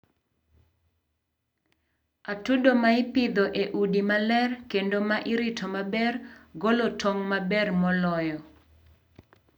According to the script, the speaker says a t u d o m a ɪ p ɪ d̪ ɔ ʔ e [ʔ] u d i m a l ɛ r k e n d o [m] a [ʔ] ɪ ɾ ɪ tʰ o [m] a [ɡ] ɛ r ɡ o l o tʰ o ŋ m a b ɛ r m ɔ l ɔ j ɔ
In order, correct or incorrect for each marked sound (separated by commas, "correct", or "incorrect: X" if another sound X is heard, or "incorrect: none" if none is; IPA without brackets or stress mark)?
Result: correct, correct, correct, correct, incorrect: b